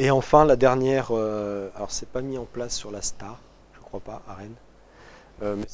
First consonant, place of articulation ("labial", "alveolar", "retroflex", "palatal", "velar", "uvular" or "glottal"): labial